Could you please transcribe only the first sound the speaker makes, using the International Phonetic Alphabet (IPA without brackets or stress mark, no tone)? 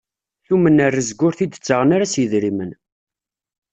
θ